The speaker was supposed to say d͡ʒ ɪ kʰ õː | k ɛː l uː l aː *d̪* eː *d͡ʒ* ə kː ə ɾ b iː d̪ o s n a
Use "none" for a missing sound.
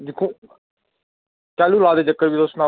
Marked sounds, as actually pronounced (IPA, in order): d̪, d͡ʒ

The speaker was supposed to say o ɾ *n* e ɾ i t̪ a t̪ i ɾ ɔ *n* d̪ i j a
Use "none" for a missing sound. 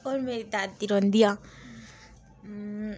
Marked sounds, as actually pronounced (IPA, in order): m, n

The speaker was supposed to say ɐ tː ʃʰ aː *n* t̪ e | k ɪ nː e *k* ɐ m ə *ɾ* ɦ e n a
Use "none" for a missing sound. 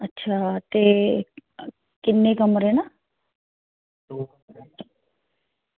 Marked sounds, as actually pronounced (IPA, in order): none, k, ɾ

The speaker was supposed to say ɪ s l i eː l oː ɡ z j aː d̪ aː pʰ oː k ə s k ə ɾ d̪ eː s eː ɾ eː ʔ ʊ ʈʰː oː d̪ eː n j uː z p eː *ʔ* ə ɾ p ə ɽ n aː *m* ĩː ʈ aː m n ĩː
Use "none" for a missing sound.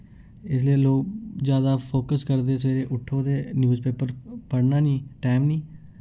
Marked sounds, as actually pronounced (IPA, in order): p, n

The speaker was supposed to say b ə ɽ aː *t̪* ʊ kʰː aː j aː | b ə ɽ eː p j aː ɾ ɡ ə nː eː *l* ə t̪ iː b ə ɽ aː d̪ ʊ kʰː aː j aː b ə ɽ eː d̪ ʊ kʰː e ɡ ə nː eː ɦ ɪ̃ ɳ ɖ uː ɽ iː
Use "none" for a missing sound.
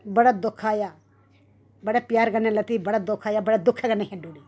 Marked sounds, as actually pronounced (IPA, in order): d̪, l

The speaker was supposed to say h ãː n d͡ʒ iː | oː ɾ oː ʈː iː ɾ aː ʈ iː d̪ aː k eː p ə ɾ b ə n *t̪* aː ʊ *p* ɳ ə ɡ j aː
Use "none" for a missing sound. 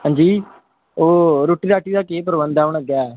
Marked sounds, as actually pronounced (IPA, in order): d̪, none

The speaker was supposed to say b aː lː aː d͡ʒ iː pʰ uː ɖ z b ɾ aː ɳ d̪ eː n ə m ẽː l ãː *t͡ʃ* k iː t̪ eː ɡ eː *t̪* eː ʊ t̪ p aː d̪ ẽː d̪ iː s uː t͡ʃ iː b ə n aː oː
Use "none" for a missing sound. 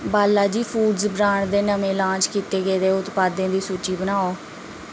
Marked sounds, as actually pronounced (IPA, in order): t͡ʃ, d̪

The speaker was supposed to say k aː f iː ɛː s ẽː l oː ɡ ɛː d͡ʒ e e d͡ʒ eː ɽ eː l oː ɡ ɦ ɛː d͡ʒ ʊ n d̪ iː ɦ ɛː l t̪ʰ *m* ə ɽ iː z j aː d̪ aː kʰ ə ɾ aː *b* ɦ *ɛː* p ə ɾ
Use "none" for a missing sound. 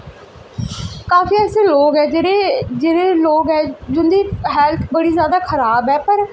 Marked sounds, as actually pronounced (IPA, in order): b, b, ɛː

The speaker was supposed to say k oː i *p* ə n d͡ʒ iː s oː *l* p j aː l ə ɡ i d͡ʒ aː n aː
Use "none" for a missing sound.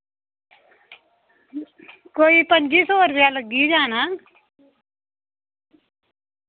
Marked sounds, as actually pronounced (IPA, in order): p, ɾ

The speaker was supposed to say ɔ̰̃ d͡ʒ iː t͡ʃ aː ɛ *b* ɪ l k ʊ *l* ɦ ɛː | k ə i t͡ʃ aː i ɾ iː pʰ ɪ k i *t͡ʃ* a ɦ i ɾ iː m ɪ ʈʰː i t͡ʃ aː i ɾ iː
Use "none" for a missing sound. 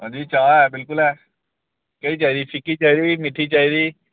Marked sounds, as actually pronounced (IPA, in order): b, l, t͡ʃ

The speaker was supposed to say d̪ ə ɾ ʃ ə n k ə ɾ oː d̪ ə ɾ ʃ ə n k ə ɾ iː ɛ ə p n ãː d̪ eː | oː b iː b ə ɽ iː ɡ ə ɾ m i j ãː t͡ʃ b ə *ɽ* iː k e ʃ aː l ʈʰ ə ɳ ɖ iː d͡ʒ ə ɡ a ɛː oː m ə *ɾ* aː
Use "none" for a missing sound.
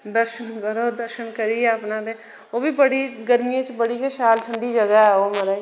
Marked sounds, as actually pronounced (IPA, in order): ɽ, ɾ

